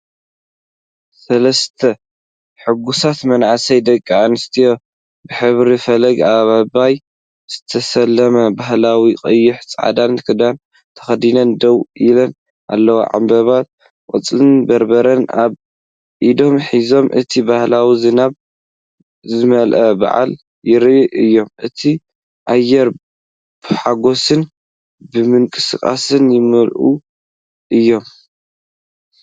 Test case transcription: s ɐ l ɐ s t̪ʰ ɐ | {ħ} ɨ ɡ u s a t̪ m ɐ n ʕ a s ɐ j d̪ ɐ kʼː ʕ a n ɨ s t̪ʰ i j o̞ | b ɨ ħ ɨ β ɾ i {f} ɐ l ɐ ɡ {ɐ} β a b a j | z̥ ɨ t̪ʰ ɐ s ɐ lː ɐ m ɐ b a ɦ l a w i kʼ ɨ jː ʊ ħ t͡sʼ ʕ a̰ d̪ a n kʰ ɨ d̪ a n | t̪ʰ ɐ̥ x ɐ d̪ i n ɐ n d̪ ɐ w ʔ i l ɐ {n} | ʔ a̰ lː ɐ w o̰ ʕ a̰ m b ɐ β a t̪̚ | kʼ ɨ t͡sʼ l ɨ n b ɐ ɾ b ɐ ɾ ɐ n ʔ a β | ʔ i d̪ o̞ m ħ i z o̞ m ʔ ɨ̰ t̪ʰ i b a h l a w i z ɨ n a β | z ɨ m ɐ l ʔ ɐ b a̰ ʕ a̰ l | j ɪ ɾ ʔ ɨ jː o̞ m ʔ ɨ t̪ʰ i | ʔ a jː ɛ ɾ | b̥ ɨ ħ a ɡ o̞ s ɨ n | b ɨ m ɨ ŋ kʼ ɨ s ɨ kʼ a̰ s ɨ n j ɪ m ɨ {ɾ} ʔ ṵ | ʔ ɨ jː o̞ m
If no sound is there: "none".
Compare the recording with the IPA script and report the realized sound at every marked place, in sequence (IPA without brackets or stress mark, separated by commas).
ħ, f, a, n, l